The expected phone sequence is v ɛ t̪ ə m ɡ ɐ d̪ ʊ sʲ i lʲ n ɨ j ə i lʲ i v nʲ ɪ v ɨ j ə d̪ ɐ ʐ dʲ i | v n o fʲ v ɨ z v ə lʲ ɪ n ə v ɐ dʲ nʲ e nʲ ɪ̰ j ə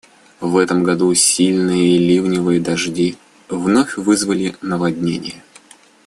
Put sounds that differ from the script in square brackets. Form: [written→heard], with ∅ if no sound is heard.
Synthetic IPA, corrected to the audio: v ɛ t̪ ə m ɡ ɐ d̪ [ʊ→u] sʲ i lʲ n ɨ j ə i lʲ i v nʲ ɪ v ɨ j ə d̪ ɐ ʐ dʲ i | v n o fʲ v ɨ z v ə lʲ ɪ n ə v ɐ dʲ nʲ e nʲ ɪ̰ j ə

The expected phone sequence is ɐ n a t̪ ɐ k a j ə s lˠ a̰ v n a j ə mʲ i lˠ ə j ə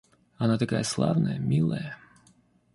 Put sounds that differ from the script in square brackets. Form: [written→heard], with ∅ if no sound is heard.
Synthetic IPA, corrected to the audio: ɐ n a t̪ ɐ k a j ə s lˠ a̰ v n [a→ə] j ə mʲ i lˠ ə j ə

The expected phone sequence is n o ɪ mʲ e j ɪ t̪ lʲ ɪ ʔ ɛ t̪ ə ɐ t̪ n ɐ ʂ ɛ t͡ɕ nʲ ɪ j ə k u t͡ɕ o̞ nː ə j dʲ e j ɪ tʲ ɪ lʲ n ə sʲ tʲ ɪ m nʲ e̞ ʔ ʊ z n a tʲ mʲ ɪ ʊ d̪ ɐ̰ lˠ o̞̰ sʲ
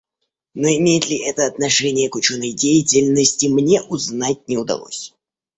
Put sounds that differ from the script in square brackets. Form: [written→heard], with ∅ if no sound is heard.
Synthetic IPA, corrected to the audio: n o ɪ mʲ e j ɪ t̪ lʲ ɪ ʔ ɛ t̪ ə ɐ t̪ n ɐ ʂ ɛ [t͡ɕ→∅] nʲ ɪ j ə k [u→ʊ] t͡ɕ o̞ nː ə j dʲ e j ɪ tʲ ɪ lʲ n ə sʲ tʲ ɪ m nʲ e̞ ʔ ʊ z n a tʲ [mʲ→nʲ] ɪ ʊ d̪ ɐ̰ lˠ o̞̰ sʲ

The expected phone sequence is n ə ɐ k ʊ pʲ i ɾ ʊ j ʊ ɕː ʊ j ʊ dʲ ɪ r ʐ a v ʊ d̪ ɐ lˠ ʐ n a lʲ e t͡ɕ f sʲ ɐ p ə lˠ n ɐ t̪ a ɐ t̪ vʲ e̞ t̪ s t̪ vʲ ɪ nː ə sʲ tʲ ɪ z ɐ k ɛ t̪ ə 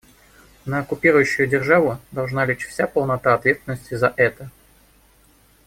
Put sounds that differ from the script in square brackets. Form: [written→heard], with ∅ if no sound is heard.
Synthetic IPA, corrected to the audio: n ə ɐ k ʊ pʲ i ɾ ʊ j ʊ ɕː ʊ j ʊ dʲ ɪ r ʐ a v ʊ d̪ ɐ lˠ ʐ n a lʲ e t͡ɕ f sʲ [ɐ→a] p ə lˠ n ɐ t̪ a ɐ t̪ vʲ e̞ t̪ s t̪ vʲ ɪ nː ə sʲ tʲ ɪ z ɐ [k→ʔ] ɛ t̪ ə

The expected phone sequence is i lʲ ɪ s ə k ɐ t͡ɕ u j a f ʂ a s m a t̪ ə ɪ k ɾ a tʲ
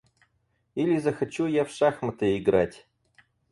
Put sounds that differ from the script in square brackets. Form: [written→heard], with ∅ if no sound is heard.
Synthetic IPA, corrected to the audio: i lʲ ɪ [s→z] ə [k→x] ɐ t͡ɕ u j a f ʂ a [s→x] m [a→ə] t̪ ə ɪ [k→ɡ] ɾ a tʲ

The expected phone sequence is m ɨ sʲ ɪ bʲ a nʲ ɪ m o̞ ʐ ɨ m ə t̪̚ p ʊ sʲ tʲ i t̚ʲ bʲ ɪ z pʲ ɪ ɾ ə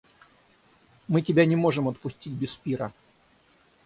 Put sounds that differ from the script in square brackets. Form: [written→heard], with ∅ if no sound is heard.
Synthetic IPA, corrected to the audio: m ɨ [sʲ→tʲ] ɪ bʲ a nʲ ɪ m o̞ ʐ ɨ m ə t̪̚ p ʊ sʲ tʲ i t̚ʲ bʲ ɪ [z→s] pʲ [ɪ→i] ɾ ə

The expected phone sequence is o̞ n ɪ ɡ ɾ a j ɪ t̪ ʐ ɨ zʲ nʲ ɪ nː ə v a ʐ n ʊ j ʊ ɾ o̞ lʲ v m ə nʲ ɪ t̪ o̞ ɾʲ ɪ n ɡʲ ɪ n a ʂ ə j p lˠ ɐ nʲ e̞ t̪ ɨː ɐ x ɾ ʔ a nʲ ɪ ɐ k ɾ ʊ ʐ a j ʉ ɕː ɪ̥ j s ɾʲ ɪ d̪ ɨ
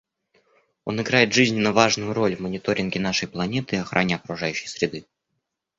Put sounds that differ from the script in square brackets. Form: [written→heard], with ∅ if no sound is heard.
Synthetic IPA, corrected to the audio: o̞ n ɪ ɡ ɾ a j ɪ t̪ ʐ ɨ zʲ nʲ ɪ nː ə v a ʐ n ʊ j ʊ ɾ o̞ lʲ v m ə nʲ ɪ t̪ o̞ ɾʲ ɪ n ɡʲ ɪ n a ʂ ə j p lˠ ɐ nʲ e̞ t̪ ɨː ɐ x ɾ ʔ a nʲ ɪ ɐ k ɾ ʊ ʐ a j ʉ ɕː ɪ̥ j s ɾʲ ɪ d̪ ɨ

